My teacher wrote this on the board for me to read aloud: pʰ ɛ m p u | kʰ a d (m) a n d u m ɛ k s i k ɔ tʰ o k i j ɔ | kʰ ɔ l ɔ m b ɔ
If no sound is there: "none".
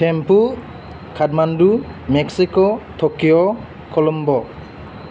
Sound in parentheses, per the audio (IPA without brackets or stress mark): m